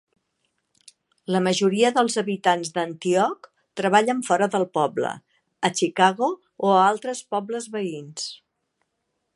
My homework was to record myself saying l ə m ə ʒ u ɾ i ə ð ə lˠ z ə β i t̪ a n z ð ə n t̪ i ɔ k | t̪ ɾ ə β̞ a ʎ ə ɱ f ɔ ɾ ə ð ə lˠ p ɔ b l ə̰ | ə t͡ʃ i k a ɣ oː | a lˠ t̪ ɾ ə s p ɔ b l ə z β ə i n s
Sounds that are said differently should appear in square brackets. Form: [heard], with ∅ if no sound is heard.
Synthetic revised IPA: l ə m ə ʒ u ɾ i ə ð ə lˠ z ə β i t̪ a n z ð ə n t̪ i ɔ k | t̪ ɾ ə β̞ a ʎ ə ɱ f ɔ ɾ ə ð ə lˠ p ɔ b l ə̰ | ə t͡ʃ i k a ɣ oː | a lˠ t̪ ɾ ə s p ɔ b l ə z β ə i n s